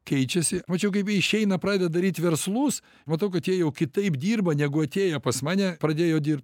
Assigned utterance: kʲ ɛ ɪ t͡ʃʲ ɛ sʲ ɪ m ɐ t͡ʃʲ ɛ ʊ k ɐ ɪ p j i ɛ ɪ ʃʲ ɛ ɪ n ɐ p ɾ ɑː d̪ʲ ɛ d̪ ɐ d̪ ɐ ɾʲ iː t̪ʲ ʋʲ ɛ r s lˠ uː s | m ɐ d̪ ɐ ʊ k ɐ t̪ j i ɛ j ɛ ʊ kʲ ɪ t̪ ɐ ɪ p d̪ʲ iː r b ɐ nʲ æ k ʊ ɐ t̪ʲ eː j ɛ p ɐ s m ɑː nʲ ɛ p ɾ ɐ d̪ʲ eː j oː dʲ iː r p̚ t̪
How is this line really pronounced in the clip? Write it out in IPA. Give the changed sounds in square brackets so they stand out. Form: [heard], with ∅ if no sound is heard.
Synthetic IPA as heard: kʲ ɛ ɪ t͡ʃʲ ɛ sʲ ɪ m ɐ t͡ʃʲ ɛ ʊ k ɐ ɪ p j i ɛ ɪ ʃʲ ɛ ɪ n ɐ p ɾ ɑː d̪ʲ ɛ d̪ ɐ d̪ ɐ ɾʲ iː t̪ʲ ʋʲ ɛ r s lˠ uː s | m ɐ [t̪] ɐ ʊ k ɐ t̪ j i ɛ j ɛ ʊ kʲ ɪ t̪ ɐ ɪ p d̪ʲ iː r b ɐ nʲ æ [ɡ] ʊ ɐ t̪ʲ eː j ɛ p ɐ s m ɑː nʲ ɛ p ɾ ɐ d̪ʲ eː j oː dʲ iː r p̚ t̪